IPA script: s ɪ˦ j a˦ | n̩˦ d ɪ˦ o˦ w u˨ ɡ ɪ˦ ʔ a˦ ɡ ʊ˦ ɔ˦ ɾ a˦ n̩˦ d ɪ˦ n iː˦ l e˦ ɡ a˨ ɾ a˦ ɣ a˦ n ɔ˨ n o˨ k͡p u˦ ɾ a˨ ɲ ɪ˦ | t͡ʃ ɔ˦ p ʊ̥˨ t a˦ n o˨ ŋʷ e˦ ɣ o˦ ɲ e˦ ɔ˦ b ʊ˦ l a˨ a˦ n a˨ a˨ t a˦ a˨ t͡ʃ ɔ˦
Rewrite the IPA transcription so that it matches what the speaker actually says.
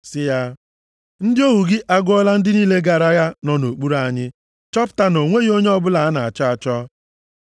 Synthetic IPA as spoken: s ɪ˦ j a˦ | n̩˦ d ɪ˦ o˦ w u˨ ɡ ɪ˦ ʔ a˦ ɡ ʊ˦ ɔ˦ l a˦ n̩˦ d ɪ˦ n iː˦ l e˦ ɡ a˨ ɾ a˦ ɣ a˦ n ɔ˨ n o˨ k͡p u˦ ɾ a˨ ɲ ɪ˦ | t͡ʃ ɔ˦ p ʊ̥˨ t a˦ n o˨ ŋʷ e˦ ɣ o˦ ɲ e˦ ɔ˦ b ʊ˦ l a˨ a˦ n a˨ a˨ t͡ʃ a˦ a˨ t͡ʃ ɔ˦